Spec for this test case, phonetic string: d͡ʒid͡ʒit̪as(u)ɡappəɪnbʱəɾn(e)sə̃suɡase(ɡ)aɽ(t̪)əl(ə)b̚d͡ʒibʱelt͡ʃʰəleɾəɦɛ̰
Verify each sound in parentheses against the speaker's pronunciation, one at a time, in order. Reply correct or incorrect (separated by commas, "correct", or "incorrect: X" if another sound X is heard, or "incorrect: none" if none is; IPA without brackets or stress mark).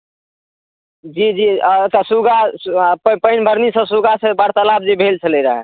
correct, incorrect: i, incorrect: b, correct, incorrect: a